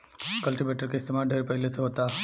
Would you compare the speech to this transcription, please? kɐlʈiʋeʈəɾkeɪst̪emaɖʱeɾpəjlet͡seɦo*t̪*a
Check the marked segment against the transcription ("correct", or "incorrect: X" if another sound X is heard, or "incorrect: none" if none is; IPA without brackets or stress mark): correct